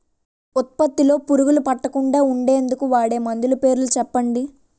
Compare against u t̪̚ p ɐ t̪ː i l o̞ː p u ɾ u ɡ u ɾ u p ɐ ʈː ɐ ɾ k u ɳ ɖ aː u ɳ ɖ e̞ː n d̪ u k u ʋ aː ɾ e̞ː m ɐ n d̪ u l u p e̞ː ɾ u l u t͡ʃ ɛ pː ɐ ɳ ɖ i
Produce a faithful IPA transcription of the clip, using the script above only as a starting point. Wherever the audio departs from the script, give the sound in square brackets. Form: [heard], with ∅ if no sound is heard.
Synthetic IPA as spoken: u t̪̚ p ɐ t̪ː i l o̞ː p u ɾ u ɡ u [l] u p ɐ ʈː ɐ [∅] k u ɳ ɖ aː u ɳ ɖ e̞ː n d̪ u k u ʋ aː [ɽ] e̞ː m ɐ n d̪ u l u p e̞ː ɾ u l u t͡ʃ ɛ pː ɐ ɳ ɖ i